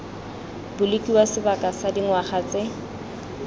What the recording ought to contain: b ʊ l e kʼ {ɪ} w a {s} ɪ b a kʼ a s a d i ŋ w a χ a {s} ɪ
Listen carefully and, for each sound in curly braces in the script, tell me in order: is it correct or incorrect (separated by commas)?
incorrect, correct, incorrect